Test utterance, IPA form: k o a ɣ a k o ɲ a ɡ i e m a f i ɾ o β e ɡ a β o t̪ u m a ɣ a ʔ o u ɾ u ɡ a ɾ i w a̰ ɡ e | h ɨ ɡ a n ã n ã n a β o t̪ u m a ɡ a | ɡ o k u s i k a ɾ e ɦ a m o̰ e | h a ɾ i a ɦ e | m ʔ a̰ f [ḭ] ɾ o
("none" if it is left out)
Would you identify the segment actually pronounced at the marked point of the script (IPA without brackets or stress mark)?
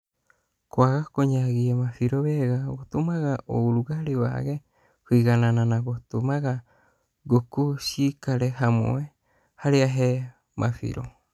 ḭ